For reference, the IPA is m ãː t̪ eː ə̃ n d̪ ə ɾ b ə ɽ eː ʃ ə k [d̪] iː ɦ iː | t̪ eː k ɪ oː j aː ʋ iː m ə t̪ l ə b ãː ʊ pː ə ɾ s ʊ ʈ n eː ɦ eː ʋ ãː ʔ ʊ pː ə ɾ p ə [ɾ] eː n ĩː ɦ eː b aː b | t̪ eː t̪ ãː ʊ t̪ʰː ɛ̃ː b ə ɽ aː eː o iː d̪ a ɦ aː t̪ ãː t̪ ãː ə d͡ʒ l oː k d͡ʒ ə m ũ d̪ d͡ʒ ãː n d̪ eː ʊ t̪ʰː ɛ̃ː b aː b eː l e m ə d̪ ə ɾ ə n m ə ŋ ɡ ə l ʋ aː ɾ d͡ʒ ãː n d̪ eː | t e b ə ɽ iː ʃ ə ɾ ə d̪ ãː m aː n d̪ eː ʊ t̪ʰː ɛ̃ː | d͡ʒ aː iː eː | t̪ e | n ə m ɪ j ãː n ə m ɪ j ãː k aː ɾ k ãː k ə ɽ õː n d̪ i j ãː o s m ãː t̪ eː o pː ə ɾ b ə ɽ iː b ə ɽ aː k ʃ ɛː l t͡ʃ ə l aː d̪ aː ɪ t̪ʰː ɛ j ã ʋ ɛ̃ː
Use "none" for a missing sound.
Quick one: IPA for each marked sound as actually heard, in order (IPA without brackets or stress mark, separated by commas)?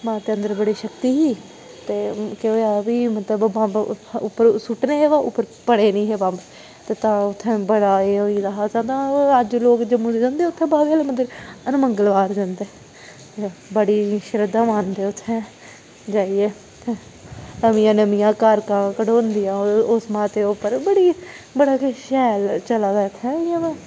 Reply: t̪, ɽ